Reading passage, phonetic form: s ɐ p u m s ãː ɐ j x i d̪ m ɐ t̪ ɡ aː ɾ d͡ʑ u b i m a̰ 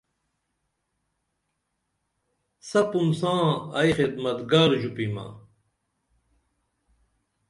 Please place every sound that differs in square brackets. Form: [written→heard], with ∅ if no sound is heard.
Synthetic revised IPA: s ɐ p u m s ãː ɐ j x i d̪ m ɐ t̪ ɡ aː ɾ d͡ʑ u [b→p] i m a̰